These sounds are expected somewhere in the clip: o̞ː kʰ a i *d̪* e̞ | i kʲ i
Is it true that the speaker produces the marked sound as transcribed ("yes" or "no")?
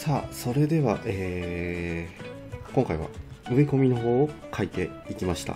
no